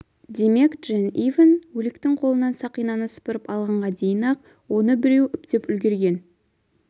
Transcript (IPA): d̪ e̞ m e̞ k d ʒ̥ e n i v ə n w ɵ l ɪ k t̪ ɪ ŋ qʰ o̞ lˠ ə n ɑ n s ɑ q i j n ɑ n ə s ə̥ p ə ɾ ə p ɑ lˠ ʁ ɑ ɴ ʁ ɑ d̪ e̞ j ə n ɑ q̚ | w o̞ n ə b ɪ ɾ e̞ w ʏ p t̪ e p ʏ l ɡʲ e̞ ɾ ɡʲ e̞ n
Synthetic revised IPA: d̪ e̞ m e̞ k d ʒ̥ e n i v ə n w ɵ l ɪ k t̪ ɪ ŋ qʰ o̞ lˠ ə n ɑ n s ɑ q i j n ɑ n ə s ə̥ p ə ɾ ə p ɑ lˠ ʁ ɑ ɴ ʁ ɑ d̪ e̞ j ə n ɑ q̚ | w o̞ n ə b ɪ ɾ e̞ w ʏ p t̪ e p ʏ l ɡʲ e̞ ɾ ɡʲ e̞ n